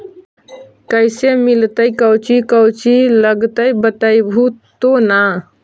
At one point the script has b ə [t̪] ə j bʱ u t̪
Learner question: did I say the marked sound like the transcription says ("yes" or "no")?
yes